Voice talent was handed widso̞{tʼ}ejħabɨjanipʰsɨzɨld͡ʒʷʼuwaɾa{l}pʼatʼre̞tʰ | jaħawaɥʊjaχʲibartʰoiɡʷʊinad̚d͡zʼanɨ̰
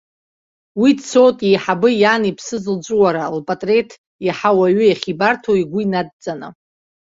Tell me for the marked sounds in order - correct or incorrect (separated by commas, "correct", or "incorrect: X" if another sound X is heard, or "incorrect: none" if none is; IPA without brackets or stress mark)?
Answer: correct, correct